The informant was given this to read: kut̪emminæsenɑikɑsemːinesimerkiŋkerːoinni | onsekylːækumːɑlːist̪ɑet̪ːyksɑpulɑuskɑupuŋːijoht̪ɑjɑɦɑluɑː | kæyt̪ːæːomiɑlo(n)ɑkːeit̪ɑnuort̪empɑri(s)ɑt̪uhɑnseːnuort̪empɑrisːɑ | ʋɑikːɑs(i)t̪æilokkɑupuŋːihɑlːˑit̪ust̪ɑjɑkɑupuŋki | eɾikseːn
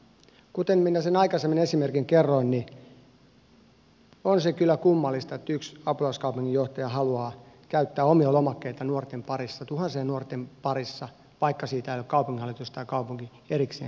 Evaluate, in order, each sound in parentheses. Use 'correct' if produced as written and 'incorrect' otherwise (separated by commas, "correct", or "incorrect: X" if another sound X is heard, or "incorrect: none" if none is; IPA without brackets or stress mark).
incorrect: m, incorrect: sː, incorrect: iː